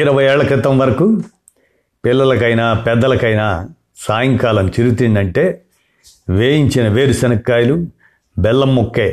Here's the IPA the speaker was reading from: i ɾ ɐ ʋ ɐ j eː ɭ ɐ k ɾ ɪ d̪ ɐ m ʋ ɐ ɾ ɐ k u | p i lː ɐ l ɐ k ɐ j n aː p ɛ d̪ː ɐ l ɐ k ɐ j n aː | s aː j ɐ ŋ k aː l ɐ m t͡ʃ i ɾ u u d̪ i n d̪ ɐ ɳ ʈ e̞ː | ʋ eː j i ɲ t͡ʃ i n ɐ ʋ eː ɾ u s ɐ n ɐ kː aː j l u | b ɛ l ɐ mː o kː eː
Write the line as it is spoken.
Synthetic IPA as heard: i ɾ ɐ ʋ ɐ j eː ɭ ɐ k ɾ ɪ t̪ ɐ m ʋ ɐ ɾ ɐ k u | p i lː ɐ l ɐ k ɐ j n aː p ɛ d̪ː ɐ l ɐ k ɐ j n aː | s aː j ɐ ŋ k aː l ɐ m t͡ʃ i ɾ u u t̪ i n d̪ ɐ ɳ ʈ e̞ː | ʋ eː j i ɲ t͡ʃ i n ɐ ʋ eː ɾ u s ɐ n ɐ kː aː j l u | b ɛ lː ɐ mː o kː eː